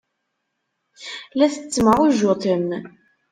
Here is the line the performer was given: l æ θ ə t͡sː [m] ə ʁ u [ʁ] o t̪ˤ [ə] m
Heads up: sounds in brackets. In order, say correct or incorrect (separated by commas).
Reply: correct, incorrect, correct